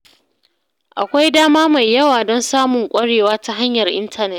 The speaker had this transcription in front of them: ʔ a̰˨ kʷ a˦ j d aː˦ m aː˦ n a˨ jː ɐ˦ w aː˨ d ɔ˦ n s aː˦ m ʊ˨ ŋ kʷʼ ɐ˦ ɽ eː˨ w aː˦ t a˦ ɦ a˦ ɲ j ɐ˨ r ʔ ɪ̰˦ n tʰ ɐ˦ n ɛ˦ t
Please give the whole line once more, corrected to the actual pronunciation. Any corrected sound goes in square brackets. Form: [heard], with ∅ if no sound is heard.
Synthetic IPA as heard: ʔ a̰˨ kʷ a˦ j d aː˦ m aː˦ [m] a˨ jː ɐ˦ w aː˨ d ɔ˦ n s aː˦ m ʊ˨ ŋ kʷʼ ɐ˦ ɽ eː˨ w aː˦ t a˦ ɦ a˦ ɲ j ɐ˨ r ʔ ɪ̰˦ n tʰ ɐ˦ n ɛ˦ t